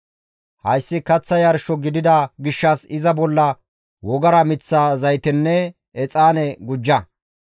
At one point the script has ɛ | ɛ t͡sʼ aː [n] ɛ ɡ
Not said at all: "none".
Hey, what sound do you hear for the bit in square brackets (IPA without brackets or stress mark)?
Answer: n